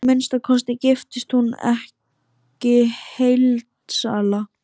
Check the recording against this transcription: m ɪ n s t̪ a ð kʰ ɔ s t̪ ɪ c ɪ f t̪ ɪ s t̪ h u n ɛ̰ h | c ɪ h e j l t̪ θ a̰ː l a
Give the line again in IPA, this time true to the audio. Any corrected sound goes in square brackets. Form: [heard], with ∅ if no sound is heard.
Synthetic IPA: m ɪ n s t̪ a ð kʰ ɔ s t̪ ɪ c ɪ f t̪ ɪ s t̪ h u n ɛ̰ h | c ɪ h e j l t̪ [s] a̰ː l a